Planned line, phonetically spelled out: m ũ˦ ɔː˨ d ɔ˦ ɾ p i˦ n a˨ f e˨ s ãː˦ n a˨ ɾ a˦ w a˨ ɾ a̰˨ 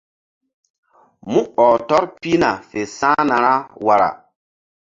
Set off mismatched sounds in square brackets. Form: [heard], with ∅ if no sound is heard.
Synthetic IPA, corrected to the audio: m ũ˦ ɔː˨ [t] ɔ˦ ɾ p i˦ n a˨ f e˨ s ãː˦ n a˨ ɾ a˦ w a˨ ɾ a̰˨